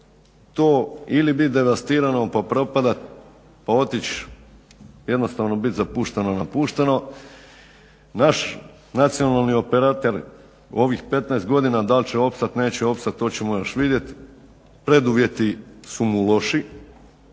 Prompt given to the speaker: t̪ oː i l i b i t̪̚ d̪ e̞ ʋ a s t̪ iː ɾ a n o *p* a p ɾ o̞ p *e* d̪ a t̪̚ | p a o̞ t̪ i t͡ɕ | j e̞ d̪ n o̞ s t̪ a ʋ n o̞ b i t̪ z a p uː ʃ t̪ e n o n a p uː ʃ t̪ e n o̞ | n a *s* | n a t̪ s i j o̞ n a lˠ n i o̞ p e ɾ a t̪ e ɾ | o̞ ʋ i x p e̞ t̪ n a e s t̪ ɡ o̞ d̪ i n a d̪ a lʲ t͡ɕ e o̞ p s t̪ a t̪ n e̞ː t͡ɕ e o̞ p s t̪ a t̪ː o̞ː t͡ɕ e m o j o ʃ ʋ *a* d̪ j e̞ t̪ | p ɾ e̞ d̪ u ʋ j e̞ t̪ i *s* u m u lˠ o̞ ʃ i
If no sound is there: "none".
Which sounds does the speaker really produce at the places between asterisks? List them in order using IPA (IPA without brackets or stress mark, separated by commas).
p, a, ʃ, i, s